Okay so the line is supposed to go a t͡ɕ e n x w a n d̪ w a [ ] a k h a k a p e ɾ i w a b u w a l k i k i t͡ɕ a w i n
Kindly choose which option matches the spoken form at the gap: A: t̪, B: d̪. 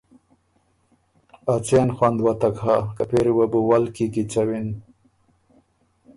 A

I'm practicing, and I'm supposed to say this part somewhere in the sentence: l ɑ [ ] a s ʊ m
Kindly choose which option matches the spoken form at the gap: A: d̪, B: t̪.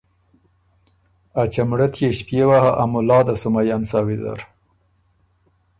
A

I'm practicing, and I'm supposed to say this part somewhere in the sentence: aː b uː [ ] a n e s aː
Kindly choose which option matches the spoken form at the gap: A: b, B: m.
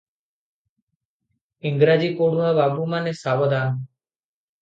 B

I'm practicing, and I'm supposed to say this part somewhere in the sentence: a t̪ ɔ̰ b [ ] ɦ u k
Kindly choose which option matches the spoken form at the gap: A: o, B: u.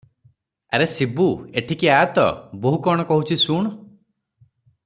A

